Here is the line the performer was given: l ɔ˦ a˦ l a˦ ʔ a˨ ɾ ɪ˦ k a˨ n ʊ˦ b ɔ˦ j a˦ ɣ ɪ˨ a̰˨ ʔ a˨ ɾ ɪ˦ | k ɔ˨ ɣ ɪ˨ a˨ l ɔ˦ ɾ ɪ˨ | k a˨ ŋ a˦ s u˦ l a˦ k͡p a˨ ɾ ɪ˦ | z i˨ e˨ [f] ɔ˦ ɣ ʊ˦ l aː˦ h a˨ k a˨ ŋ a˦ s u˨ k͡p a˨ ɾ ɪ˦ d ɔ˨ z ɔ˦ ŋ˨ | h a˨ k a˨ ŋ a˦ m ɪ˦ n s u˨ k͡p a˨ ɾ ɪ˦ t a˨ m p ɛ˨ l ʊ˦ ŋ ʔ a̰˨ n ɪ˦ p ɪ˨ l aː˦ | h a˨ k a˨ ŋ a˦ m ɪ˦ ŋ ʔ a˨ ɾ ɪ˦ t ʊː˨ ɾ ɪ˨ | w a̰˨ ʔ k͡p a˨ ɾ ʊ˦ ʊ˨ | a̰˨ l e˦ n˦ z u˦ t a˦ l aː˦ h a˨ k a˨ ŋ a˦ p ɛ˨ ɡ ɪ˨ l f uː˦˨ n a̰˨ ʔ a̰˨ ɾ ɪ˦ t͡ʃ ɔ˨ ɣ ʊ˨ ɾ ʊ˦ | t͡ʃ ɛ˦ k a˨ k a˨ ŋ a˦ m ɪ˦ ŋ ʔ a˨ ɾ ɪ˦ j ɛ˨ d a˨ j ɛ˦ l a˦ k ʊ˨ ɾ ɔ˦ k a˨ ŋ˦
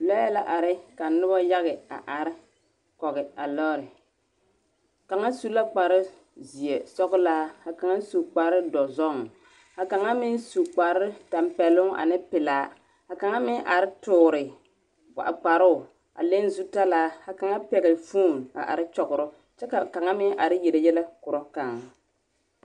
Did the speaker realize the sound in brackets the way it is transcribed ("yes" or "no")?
no